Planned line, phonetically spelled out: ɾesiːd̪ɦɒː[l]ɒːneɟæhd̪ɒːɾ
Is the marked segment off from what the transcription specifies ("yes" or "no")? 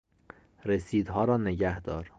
yes